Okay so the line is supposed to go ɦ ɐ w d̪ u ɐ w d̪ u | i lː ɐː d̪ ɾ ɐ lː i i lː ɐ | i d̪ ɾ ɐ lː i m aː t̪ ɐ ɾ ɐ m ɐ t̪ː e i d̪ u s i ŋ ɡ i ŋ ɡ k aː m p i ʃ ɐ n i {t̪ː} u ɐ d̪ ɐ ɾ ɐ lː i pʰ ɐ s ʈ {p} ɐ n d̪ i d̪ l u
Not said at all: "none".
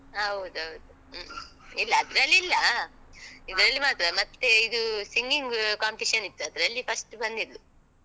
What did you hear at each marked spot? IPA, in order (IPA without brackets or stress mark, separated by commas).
t̪ː, b